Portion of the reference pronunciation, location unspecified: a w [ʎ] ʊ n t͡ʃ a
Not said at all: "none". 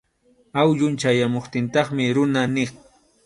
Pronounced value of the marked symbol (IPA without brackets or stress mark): ʎ